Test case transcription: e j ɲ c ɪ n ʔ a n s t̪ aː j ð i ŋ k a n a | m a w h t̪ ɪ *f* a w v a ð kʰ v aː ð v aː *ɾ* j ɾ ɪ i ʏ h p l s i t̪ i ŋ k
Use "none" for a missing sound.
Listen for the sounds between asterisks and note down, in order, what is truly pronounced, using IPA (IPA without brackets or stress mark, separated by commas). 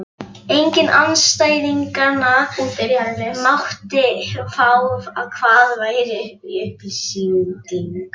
f, none